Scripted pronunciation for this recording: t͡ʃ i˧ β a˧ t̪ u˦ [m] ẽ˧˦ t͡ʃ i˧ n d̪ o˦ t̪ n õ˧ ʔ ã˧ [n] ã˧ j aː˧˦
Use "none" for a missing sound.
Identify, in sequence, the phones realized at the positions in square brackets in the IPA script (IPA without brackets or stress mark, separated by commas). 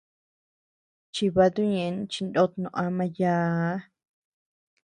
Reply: ɲ, m